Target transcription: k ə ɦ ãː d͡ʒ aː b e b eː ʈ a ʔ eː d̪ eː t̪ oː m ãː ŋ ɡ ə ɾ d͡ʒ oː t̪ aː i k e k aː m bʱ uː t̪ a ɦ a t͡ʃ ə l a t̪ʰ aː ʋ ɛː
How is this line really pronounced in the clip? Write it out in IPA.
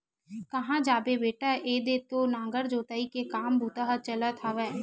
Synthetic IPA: k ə ɦ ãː d͡ʒ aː b e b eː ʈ a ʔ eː d̪ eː t̪ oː n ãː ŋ ɡ ə ɾ d͡ʒ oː t̪ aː i k e k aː m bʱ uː t̪ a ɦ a t͡ʃ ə l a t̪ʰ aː ʋ ɛː